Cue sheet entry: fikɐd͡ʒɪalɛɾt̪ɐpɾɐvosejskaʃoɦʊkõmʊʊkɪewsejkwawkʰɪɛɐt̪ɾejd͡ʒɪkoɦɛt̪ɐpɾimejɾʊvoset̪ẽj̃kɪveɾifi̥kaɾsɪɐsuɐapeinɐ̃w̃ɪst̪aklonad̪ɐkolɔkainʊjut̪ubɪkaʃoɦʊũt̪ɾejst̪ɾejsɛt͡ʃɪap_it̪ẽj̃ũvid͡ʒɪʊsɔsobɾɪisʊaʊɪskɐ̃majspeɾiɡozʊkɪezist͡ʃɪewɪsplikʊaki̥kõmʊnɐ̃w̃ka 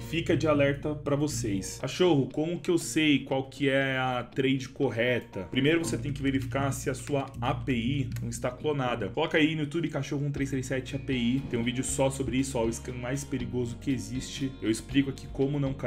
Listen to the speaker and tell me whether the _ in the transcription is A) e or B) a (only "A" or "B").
A